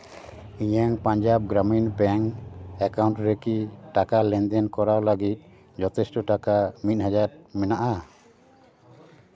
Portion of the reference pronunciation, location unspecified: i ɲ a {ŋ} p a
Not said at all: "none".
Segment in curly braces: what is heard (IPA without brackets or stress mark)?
ŋ